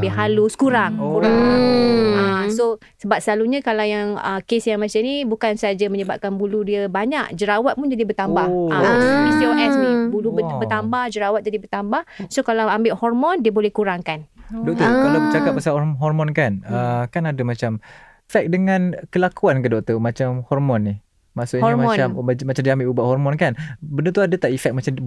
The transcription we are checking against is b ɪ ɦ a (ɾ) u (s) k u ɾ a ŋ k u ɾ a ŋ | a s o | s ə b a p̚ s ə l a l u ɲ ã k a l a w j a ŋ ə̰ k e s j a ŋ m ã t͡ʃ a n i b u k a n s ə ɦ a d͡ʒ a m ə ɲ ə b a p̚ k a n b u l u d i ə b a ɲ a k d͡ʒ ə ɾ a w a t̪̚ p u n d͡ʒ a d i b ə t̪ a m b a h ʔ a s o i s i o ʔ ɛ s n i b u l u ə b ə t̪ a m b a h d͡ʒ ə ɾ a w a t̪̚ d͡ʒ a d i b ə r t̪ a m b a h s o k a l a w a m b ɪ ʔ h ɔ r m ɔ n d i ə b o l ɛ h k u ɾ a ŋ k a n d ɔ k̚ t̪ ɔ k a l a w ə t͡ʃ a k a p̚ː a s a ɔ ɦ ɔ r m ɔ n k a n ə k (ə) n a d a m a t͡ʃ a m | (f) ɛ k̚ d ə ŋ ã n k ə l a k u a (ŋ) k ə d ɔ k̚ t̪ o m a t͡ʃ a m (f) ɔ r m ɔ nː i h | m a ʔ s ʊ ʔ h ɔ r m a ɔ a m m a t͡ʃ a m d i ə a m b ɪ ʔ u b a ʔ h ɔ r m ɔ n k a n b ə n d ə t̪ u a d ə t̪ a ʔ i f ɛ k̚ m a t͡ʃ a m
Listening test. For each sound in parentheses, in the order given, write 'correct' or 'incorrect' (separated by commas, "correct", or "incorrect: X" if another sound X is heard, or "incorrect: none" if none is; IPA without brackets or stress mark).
incorrect: l, correct, incorrect: a, correct, incorrect: n, incorrect: h